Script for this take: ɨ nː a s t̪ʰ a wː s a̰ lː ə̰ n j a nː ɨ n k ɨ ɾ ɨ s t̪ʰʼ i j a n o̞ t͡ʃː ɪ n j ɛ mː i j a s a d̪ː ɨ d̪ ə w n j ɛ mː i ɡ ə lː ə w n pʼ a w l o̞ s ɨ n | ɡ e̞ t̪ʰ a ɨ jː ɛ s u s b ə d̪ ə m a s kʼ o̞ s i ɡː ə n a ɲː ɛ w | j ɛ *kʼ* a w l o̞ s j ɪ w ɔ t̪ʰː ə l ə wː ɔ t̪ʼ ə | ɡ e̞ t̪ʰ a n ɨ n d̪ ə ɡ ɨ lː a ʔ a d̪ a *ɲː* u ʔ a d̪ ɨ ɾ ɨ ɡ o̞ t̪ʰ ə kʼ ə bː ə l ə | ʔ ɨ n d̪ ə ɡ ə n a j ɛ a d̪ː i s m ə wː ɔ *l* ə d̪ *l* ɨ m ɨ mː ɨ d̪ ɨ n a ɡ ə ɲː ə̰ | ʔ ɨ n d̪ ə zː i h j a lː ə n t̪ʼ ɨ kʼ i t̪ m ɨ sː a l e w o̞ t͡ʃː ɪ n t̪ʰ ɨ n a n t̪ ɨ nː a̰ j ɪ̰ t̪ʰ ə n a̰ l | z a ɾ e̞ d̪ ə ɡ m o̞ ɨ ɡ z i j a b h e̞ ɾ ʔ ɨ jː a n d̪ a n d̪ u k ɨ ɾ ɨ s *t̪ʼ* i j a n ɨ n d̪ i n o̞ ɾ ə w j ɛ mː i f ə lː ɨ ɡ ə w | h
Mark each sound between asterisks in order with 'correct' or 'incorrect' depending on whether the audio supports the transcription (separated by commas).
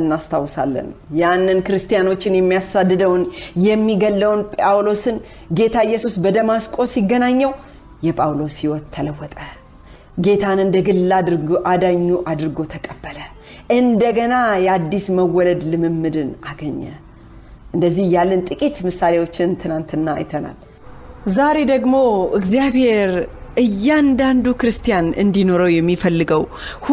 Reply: incorrect, correct, correct, correct, incorrect